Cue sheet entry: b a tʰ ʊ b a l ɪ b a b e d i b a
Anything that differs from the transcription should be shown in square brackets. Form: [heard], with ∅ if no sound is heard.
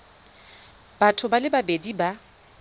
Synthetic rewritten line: b a tʰ ʊ b a l ɪ b a b e d i b a